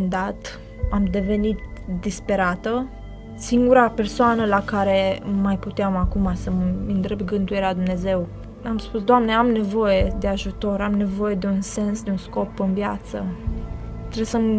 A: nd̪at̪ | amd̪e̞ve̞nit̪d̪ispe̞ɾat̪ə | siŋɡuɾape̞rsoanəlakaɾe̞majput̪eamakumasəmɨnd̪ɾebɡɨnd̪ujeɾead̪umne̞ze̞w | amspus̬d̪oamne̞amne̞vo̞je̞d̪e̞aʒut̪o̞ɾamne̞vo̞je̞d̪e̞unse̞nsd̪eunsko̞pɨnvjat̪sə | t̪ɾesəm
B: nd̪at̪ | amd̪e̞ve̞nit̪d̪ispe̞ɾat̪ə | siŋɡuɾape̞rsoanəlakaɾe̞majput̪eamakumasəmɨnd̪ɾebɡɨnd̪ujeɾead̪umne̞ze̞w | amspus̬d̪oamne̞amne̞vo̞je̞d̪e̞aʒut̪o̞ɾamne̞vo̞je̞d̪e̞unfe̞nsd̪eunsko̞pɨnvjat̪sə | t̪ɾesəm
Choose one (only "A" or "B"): A